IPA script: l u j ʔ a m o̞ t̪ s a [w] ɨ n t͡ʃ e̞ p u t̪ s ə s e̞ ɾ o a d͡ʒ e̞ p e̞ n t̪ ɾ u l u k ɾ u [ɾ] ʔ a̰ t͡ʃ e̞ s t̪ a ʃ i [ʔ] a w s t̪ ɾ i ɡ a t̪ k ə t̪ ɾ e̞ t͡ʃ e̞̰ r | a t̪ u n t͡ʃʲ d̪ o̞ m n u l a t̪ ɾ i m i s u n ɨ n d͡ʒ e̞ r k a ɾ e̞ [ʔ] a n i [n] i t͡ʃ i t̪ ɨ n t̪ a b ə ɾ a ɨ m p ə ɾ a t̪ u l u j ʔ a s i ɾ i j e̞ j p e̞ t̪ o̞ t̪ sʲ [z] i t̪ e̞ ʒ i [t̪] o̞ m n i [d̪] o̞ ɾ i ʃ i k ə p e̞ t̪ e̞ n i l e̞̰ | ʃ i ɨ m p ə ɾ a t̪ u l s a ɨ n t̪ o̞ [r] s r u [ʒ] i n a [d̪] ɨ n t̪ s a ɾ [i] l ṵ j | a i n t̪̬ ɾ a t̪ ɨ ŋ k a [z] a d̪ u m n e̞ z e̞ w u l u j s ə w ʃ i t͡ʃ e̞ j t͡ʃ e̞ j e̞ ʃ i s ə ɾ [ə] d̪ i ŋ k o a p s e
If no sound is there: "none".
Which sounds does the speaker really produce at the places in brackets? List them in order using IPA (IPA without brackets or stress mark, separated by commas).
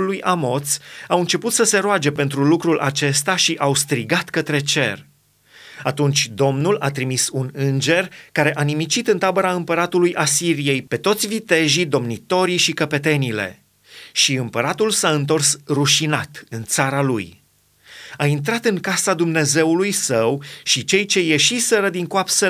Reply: w, l, ʔ, ʔ, m, v, d̪, t̪, r, ʃ, t̪, a, s, ə